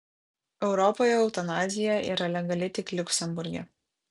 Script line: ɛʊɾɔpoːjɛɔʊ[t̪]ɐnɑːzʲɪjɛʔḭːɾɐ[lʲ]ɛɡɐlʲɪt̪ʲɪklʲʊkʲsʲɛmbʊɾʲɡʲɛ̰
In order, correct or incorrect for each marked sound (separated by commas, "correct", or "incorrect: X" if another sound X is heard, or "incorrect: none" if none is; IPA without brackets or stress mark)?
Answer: correct, correct